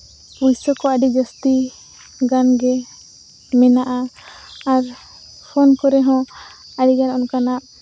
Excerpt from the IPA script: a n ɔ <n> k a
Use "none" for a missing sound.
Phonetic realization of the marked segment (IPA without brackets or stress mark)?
n